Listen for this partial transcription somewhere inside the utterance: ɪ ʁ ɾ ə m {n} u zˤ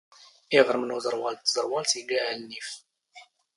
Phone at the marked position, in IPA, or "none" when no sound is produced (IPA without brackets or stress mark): n